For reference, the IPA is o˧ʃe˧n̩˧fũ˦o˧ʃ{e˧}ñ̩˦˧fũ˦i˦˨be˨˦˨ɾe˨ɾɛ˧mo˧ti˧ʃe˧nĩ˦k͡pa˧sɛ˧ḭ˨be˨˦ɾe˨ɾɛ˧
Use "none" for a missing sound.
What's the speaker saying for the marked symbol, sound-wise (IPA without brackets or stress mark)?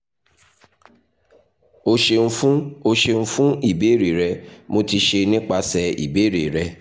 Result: e˧